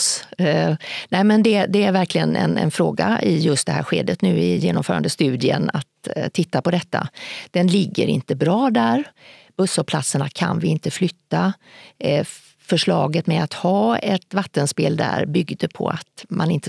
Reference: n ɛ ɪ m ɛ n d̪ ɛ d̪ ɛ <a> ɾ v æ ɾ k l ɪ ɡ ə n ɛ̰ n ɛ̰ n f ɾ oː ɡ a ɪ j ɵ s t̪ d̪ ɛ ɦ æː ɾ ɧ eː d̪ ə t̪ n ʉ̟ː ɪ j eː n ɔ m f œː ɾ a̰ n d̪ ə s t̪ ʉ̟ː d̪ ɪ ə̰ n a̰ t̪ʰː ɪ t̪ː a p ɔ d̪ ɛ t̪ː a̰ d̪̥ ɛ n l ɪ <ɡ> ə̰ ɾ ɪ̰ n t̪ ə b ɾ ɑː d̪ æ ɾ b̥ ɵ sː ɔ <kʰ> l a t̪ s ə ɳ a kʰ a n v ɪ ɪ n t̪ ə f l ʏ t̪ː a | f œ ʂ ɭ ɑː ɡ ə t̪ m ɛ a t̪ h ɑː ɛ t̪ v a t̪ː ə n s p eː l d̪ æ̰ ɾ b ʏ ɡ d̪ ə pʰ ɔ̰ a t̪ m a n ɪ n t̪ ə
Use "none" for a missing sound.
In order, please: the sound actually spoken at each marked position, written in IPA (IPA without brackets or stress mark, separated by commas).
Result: æ, ɡː, pʰ